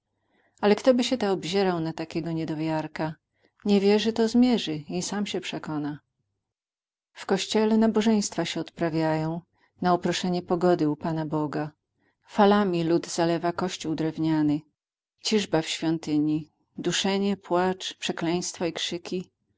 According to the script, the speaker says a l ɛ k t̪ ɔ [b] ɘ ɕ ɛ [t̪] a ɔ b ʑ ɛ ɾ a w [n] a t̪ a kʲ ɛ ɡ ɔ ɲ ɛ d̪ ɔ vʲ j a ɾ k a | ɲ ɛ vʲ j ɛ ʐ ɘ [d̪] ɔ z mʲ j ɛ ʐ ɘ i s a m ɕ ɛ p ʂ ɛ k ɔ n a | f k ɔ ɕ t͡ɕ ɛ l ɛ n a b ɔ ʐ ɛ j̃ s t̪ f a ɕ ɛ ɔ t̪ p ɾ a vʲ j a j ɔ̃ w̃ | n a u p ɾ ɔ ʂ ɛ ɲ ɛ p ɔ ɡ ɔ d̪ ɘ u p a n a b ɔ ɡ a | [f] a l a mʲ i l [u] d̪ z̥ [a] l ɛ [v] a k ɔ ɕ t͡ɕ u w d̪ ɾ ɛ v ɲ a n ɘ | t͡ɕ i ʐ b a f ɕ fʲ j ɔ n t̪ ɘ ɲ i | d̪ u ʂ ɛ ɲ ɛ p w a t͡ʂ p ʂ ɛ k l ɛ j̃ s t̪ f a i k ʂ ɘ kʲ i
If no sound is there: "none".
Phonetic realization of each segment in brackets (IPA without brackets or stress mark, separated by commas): b, t̪, n, t̪, f, u, a, v